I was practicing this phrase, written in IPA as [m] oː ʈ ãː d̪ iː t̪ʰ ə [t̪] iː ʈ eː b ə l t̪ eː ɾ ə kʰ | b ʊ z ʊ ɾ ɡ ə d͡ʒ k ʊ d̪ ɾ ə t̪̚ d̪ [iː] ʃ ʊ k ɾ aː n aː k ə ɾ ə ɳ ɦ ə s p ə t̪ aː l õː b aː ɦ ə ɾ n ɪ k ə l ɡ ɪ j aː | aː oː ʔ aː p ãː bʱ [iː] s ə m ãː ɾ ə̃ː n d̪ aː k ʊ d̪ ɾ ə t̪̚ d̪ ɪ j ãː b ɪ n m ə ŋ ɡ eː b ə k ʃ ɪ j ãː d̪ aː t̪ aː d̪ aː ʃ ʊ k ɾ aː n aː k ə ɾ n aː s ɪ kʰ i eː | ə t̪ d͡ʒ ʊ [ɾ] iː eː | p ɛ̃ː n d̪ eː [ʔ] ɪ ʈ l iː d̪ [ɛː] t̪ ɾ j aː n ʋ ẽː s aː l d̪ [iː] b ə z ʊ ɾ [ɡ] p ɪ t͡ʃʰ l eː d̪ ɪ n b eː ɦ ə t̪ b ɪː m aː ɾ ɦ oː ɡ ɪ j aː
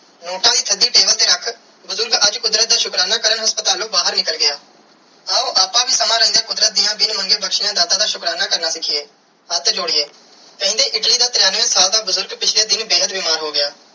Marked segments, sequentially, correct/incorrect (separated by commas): incorrect, incorrect, incorrect, correct, incorrect, correct, incorrect, incorrect, correct